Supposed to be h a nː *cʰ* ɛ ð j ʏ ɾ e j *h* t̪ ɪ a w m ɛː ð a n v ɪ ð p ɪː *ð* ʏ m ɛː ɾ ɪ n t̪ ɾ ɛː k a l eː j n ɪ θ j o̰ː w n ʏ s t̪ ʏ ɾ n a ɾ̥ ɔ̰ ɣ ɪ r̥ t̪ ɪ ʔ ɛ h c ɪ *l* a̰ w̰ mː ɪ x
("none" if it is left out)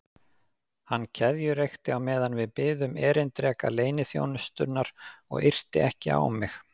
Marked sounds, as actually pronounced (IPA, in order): cʰ, x, ð, none

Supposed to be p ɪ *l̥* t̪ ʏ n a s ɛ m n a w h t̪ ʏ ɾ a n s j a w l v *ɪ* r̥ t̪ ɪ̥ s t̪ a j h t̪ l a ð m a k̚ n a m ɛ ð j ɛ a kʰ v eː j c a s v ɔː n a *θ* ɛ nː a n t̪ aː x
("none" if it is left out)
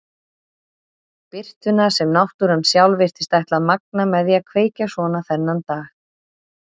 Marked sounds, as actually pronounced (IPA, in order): r̥, ɪ, θ

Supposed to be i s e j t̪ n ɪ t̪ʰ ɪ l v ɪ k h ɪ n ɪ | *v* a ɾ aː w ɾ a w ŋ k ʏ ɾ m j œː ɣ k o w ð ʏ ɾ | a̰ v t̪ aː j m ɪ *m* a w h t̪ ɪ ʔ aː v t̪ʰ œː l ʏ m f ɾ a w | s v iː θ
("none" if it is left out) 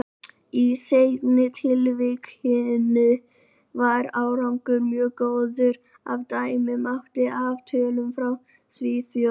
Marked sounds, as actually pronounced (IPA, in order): v, m

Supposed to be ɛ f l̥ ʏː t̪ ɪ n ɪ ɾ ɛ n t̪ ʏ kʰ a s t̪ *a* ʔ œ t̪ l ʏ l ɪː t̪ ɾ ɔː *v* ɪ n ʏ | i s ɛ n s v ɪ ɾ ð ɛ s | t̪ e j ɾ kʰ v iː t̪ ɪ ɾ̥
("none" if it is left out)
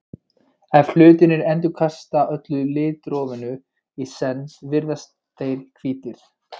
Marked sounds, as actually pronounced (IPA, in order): a, v

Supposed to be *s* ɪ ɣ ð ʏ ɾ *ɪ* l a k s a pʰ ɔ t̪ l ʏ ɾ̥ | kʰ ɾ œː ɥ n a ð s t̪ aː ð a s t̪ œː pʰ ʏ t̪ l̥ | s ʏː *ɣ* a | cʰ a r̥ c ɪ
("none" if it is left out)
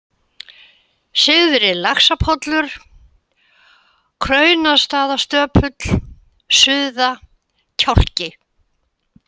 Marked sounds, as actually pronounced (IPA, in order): s, ɪ, ð

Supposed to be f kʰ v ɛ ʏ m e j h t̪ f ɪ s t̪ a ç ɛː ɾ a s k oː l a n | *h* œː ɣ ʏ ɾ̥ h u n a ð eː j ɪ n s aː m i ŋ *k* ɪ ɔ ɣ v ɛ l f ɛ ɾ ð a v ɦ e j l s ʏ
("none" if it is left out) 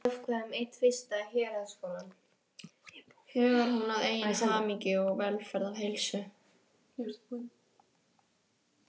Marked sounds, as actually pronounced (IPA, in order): h, c

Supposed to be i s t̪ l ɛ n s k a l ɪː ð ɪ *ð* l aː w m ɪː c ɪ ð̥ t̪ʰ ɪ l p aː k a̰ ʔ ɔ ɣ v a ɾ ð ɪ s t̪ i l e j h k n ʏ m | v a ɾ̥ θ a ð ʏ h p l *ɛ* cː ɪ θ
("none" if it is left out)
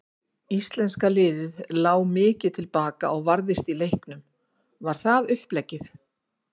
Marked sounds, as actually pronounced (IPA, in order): ð, ɛ

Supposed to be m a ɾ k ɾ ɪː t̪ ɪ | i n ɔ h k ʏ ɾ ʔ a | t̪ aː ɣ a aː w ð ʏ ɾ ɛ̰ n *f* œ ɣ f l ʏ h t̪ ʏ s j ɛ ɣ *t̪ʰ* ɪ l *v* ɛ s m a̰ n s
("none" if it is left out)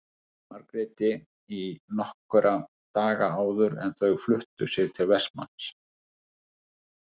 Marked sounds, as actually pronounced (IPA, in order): θ, t̪ʰ, v

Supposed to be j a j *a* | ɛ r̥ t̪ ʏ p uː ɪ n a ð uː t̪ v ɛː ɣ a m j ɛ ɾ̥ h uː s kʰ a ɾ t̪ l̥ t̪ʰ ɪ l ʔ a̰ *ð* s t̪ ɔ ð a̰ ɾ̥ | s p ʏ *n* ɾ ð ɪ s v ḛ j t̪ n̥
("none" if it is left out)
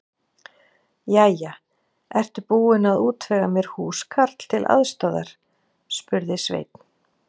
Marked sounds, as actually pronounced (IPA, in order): a, ð, none

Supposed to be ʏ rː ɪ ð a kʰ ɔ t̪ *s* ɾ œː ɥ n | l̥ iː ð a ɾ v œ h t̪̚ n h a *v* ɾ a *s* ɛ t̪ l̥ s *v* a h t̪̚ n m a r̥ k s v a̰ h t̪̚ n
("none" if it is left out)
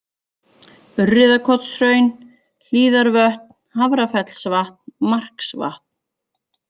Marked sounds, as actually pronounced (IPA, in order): s, v, f, v

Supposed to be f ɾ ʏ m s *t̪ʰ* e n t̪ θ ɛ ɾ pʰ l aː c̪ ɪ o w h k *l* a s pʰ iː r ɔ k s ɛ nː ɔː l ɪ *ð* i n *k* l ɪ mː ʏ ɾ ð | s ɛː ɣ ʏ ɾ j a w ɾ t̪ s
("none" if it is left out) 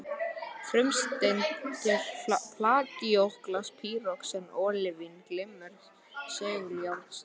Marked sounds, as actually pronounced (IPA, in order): t̪, l, v, k

